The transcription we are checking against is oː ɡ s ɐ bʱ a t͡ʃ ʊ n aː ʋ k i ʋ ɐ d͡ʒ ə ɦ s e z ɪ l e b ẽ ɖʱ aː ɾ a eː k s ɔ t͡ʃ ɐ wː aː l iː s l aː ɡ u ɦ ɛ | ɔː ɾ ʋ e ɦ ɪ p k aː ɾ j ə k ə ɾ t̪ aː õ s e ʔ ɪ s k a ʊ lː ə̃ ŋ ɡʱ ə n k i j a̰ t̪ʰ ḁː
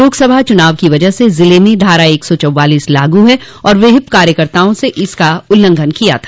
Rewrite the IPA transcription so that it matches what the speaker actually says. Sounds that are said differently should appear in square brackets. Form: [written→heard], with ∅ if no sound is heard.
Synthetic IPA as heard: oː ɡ s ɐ bʱ a t͡ʃ ʊ n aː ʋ k i ʋ ɐ d͡ʒ ə ɦ s e z ɪ l e [b→m] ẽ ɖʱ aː ɾ a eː k s ɔ t͡ʃ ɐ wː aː l iː s l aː ɡ u ɦ ɛ | ɔː ɾ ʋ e ɦ ɪ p k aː ɾ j ə k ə ɾ t̪ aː õ s e ʔ ɪ s k a ʊ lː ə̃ ŋ ɡʱ ə n k i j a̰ t̪ʰ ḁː